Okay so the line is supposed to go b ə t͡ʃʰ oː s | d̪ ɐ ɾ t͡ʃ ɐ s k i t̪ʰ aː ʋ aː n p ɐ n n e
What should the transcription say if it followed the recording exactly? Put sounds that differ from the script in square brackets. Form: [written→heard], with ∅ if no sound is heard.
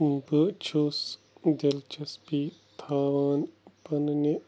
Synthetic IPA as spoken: b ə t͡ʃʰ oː s | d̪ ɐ [ɾ→l] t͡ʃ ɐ s [k→p] i t̪ʰ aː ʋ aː n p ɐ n n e